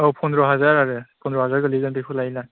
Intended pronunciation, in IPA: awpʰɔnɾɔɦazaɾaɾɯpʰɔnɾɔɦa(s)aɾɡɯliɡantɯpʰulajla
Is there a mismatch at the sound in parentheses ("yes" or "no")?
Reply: yes